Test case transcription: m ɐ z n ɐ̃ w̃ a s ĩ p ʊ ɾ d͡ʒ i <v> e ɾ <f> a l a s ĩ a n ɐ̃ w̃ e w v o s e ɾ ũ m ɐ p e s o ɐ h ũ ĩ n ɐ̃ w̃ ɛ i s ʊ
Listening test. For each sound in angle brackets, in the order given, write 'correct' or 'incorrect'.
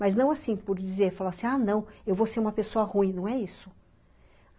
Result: incorrect, correct

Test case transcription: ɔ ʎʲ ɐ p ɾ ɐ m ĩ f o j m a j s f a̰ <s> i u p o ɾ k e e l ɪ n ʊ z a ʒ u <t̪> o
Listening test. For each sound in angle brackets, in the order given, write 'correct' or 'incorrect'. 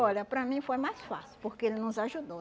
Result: correct, incorrect

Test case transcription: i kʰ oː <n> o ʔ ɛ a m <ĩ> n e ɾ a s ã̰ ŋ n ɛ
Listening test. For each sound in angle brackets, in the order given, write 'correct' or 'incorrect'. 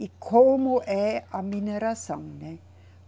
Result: incorrect, incorrect

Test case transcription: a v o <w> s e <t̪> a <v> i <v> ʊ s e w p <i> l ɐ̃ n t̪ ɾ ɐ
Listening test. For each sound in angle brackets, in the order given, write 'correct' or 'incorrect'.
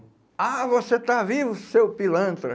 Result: incorrect, correct, correct, correct, correct

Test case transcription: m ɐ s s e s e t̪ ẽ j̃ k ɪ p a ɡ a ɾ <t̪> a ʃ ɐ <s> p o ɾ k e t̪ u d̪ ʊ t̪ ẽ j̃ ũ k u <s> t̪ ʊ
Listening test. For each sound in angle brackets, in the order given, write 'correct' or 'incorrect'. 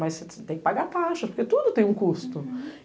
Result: correct, correct, correct

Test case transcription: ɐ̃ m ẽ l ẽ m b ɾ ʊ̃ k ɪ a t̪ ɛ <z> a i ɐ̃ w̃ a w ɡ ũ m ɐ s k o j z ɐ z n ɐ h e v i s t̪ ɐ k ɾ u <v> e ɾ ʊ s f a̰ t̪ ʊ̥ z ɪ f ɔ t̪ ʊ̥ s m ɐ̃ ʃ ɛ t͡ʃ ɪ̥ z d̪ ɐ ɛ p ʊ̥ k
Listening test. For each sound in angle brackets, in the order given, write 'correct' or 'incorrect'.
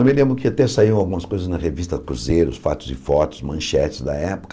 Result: incorrect, incorrect

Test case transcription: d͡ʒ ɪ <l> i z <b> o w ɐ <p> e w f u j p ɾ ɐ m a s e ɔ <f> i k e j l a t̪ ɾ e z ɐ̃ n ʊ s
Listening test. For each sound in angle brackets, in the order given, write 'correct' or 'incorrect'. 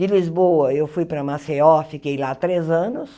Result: correct, correct, incorrect, correct

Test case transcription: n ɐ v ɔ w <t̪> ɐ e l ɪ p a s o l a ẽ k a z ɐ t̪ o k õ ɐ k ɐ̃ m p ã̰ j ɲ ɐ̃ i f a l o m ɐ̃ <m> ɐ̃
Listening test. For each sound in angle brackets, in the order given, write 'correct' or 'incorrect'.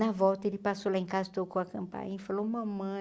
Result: correct, correct

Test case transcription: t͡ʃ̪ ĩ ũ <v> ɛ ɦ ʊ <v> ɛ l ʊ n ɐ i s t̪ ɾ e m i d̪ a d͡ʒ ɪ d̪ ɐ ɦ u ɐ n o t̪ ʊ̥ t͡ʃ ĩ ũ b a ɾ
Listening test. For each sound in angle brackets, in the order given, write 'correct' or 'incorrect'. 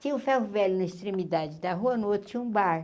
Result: incorrect, correct

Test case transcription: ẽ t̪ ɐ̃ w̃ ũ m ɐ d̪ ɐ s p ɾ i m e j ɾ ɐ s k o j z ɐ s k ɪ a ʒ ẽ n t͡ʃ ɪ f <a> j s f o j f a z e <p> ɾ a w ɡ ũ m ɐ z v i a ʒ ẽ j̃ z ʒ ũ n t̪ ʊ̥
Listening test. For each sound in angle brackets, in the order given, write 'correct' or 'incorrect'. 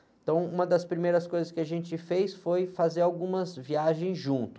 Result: incorrect, incorrect

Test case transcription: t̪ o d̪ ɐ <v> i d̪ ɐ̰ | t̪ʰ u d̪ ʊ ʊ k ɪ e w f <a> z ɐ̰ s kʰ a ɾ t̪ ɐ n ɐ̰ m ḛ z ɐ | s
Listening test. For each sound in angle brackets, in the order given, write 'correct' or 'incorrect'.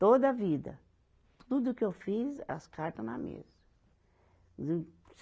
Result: correct, incorrect

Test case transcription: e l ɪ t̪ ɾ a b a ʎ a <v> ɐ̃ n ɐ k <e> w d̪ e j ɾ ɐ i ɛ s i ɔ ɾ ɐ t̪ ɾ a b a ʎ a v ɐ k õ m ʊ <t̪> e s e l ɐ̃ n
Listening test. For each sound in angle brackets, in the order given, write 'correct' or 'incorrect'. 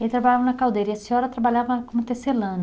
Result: correct, incorrect, correct

